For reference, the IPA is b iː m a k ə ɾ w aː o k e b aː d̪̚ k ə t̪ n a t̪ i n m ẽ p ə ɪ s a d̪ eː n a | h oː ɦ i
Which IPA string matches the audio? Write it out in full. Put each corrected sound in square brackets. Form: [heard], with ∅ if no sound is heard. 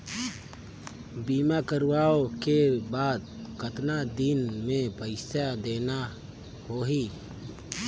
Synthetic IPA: b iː m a k ə ɾ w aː o k e b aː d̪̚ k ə t̪ n a [d̪] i n m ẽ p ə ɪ s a d̪ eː n a | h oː ɦ i